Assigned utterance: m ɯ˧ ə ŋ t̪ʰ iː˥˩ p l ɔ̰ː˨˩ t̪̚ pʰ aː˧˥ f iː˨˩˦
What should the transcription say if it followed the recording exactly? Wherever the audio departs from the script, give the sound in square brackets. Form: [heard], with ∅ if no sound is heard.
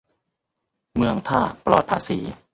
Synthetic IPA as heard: m ɯ˧ ə ŋ t̪ʰ [aː˥˩] p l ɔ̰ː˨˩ t̪̚ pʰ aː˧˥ [s] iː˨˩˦